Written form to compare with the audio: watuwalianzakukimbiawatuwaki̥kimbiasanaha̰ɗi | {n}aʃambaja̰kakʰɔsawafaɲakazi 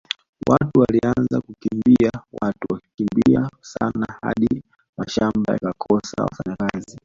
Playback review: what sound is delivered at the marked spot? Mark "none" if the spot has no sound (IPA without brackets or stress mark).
m